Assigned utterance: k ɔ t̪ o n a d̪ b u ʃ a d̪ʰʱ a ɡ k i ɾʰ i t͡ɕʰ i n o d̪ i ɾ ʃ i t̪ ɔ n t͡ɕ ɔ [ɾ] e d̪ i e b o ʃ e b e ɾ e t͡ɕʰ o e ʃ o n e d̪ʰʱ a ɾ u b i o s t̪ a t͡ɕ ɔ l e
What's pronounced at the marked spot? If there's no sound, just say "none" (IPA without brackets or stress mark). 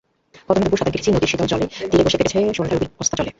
l